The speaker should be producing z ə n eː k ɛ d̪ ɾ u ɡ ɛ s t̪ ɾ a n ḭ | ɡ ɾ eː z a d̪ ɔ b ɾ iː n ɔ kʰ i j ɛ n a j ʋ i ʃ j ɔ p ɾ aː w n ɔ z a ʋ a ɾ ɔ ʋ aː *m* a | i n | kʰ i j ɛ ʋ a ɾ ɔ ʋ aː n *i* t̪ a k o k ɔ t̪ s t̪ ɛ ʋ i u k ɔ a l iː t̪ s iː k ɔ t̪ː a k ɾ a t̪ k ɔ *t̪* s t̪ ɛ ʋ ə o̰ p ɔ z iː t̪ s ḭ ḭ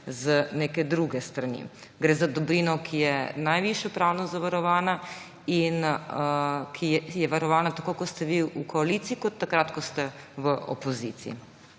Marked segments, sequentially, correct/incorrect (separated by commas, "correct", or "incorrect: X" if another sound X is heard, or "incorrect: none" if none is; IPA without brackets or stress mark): incorrect: n, incorrect: a, incorrect: none